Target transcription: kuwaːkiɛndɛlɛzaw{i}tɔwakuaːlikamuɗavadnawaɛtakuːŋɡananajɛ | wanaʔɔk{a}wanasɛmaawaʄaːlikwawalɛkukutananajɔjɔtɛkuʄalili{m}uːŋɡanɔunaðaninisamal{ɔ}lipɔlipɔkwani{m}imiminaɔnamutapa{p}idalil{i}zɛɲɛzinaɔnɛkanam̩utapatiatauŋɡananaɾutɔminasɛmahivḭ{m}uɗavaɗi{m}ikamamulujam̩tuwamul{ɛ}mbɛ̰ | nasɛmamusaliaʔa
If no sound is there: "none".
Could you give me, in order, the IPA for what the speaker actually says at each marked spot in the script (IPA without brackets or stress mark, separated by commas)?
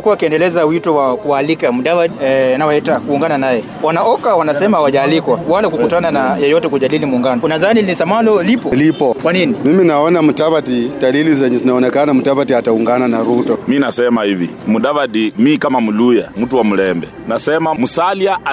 i, a, m, ɔ, n, t, i, m, m, ɛ